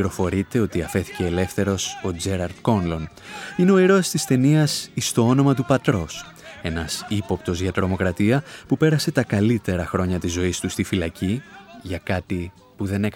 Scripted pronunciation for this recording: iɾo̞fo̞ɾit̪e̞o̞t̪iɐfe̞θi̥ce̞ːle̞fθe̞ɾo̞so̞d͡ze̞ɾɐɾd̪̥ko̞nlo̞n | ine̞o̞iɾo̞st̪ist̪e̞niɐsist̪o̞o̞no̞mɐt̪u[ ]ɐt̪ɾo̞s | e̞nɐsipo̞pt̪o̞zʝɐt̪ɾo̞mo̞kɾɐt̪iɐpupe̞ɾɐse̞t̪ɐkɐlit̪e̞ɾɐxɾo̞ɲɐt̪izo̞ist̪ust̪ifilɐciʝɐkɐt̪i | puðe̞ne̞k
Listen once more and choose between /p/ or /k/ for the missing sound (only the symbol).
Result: p